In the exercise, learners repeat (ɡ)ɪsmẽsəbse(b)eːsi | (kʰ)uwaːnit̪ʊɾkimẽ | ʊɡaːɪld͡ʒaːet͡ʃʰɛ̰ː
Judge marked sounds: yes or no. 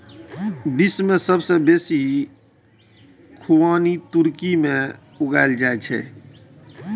no, yes, yes

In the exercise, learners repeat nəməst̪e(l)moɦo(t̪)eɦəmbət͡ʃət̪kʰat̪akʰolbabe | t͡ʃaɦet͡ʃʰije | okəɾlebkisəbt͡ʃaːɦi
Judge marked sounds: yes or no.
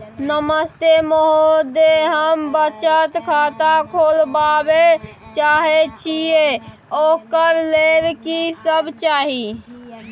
no, no

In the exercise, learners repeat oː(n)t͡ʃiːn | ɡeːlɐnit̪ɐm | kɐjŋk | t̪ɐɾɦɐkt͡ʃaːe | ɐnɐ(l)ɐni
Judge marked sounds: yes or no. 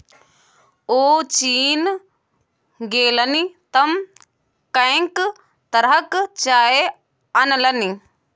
no, yes

